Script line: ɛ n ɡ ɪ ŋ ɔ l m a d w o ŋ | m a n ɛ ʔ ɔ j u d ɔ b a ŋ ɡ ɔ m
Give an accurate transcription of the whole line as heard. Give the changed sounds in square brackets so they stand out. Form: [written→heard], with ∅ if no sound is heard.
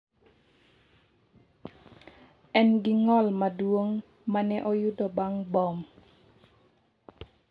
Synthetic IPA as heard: ɛ n ɡ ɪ ŋ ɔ l m a d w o ŋ | m a n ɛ ʔ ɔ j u d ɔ b a ŋ [ɡ→b] ɔ m